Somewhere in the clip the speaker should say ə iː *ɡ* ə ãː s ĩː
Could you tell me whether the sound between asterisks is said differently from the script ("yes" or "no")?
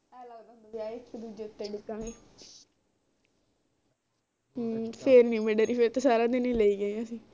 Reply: no